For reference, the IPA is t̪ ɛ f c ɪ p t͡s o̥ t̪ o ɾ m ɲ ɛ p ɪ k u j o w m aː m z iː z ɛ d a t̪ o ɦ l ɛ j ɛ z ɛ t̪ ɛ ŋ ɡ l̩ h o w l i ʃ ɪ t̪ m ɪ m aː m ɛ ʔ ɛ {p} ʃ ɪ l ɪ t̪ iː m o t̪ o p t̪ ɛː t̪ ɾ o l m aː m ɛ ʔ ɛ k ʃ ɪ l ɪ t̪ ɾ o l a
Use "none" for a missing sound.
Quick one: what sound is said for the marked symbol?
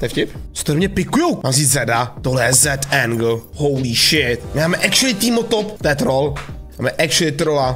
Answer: k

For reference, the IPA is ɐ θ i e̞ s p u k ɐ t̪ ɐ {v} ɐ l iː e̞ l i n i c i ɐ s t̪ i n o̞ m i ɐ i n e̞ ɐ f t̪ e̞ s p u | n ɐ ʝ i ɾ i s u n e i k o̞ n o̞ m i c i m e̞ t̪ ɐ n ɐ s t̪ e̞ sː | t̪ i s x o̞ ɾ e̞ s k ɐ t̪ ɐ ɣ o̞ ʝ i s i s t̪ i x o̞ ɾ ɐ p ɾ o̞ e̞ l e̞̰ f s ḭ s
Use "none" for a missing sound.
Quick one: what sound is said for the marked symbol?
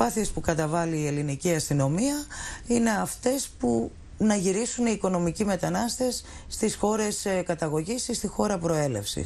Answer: v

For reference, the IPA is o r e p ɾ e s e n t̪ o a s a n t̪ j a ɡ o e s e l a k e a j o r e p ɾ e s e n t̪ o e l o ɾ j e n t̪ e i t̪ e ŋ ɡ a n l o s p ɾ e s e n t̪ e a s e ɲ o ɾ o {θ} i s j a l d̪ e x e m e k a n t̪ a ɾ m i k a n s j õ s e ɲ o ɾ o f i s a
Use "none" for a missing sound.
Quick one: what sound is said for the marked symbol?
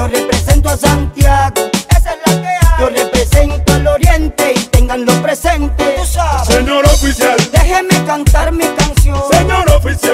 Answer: f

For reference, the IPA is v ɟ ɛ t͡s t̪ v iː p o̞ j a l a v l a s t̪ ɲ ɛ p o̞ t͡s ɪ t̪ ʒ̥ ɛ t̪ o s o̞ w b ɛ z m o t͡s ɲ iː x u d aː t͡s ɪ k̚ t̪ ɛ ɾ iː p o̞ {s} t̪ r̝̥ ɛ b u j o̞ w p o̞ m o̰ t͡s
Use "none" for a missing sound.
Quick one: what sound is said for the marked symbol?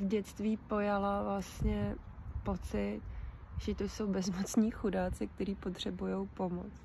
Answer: none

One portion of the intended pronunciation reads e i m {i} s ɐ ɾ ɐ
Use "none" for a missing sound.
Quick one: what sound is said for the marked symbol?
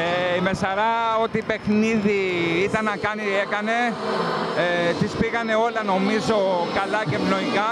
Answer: e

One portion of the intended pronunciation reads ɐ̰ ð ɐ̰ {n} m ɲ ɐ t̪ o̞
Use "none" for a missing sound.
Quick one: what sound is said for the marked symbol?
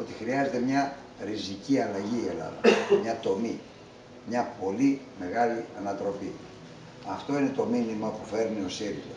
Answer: none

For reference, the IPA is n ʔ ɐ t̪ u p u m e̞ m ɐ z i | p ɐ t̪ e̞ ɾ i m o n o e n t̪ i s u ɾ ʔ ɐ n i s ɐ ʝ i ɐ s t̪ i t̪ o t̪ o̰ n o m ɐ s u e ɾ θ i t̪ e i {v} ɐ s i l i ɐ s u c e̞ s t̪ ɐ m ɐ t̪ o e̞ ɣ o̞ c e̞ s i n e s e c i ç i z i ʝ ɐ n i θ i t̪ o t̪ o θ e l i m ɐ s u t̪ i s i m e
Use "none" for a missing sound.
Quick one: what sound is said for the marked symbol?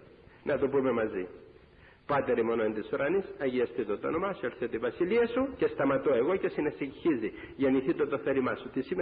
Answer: v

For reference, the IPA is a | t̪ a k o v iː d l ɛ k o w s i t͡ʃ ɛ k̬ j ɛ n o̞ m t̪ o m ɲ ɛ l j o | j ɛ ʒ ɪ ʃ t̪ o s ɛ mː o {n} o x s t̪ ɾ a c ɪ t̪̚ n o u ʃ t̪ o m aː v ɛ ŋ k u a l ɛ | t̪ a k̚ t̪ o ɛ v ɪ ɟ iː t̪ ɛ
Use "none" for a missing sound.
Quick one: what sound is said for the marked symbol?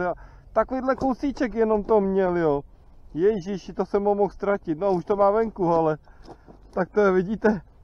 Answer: m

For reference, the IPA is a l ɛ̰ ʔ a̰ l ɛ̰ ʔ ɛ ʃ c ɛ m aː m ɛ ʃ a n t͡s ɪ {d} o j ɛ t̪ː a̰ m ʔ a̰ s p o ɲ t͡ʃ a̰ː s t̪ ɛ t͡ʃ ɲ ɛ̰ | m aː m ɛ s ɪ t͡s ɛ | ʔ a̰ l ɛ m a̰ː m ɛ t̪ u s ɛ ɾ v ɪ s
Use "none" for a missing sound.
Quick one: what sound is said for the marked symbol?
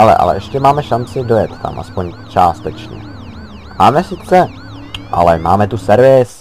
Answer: d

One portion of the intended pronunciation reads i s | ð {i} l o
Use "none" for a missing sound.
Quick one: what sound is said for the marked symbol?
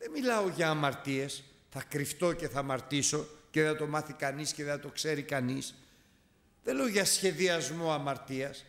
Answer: e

